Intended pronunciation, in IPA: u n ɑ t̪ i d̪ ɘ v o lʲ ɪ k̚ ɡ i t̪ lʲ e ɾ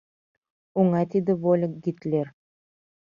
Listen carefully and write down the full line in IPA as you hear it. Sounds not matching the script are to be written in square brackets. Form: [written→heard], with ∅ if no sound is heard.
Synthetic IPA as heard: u [n→ŋ] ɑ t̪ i d̪ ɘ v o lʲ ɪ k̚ ɡ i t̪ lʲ e ɾ